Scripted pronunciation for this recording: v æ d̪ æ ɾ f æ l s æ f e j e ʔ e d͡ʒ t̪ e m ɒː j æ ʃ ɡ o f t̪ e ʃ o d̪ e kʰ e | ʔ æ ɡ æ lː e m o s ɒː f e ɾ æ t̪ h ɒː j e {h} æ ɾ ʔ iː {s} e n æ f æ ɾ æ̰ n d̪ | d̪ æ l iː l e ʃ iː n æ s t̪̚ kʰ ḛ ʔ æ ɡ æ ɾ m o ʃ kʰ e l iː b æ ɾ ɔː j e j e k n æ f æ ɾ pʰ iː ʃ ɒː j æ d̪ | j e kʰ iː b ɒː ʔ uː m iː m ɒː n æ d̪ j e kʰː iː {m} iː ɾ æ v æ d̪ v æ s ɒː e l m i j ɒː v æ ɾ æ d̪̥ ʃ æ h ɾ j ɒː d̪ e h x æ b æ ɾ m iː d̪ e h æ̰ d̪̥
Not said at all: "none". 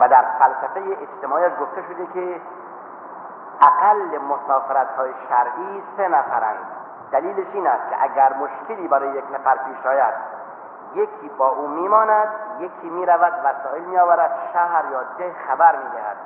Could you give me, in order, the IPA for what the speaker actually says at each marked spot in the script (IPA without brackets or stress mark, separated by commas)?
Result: ʃ, s, m